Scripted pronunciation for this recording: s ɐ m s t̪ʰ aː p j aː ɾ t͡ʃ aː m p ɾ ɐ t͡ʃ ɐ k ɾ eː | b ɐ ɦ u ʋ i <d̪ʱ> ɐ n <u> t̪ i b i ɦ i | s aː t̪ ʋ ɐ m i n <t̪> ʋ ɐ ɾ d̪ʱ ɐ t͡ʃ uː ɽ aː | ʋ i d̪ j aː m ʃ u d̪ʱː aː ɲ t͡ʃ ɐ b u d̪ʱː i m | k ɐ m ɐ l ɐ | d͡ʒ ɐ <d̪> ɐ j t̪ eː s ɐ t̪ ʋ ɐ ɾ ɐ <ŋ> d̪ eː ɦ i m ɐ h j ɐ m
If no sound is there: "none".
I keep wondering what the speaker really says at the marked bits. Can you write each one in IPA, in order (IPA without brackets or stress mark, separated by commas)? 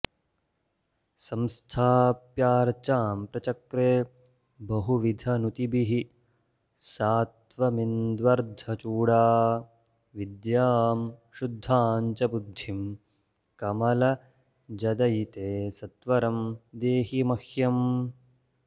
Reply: d̪ʱ, u, d̪, d̪, m